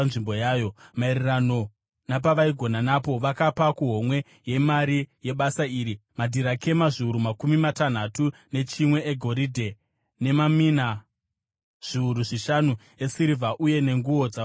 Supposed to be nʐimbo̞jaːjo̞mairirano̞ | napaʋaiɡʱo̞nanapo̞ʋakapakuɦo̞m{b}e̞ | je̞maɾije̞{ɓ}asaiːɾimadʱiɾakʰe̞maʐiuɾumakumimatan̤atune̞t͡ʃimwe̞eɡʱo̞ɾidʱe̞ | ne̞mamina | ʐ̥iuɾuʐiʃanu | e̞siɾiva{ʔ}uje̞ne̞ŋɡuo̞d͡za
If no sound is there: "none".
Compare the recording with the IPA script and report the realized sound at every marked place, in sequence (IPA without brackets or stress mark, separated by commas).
w, ɓ, ʔ